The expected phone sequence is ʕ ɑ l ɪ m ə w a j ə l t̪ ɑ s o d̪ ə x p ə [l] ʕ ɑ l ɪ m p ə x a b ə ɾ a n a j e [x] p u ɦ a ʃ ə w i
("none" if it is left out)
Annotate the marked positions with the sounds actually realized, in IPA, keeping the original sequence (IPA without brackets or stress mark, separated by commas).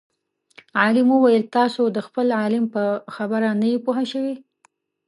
l, none